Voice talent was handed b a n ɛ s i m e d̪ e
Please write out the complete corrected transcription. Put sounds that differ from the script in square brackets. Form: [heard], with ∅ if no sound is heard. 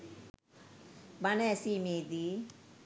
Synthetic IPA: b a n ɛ s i m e d̪ [i]

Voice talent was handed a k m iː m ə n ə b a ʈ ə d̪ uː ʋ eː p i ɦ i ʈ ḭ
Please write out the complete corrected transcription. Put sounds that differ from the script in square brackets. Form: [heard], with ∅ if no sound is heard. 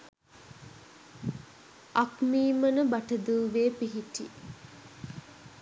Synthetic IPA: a k m iː m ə n ə b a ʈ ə d̪ uː ʋ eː p i ɦ i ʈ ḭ

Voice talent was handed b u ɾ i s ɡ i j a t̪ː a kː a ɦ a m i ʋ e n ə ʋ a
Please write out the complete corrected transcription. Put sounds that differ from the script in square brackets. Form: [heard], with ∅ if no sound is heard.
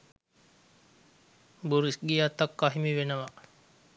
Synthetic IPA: b u ɾ i s ɡ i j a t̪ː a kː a ɦ [i] m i ʋ e n ə ʋ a

